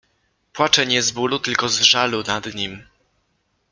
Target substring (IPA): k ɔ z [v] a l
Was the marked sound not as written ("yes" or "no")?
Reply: yes